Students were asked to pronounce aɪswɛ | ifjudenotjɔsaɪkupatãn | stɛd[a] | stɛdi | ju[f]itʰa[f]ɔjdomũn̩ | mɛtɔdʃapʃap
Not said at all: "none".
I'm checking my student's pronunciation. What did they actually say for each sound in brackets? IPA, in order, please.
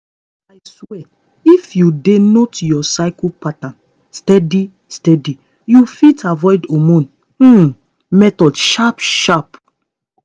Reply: i, f, v

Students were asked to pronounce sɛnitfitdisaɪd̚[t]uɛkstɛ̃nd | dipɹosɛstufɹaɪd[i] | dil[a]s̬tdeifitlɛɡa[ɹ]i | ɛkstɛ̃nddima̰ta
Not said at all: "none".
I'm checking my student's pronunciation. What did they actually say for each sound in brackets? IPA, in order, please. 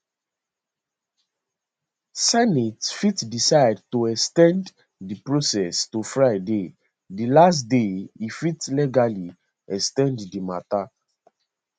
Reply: t, e, a, l

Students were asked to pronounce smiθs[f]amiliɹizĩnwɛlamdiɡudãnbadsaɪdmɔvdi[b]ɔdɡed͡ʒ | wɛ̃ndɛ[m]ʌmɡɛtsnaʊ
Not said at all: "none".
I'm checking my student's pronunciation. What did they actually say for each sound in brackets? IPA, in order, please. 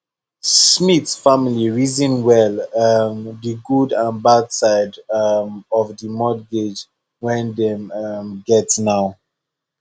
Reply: f, m, m

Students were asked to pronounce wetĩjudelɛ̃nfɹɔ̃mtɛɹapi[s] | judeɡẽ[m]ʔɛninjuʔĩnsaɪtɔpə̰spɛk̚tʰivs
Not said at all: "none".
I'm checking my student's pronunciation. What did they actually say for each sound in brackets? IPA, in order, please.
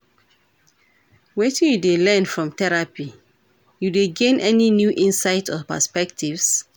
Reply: none, n

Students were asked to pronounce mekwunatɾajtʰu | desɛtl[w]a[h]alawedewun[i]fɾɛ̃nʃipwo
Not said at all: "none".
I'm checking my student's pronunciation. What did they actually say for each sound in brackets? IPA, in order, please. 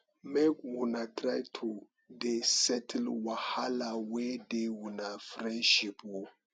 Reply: w, h, a

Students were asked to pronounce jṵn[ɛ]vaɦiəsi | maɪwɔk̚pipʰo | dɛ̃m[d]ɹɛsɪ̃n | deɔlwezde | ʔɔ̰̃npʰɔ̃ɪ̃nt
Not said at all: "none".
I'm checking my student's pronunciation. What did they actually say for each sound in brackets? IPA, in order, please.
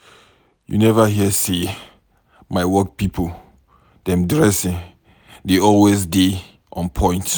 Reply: ɛ, d

